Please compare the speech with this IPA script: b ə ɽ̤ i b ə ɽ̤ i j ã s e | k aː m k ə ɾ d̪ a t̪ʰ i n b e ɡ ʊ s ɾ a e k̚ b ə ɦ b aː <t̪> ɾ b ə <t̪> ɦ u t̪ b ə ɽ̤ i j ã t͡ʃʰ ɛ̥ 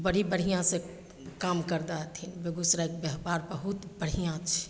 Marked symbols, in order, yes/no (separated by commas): no, no